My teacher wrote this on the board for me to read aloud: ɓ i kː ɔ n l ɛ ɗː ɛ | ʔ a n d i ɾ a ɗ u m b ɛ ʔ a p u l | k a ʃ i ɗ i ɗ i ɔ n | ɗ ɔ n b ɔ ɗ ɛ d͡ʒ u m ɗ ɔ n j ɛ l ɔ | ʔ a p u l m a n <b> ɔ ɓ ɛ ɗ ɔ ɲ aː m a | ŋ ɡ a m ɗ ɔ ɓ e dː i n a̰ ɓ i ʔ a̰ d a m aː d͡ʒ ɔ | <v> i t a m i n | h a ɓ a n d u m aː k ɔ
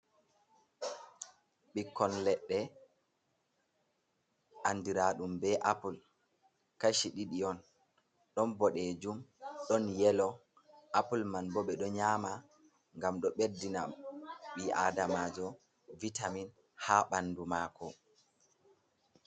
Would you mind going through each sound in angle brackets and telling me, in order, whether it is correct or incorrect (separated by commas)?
correct, correct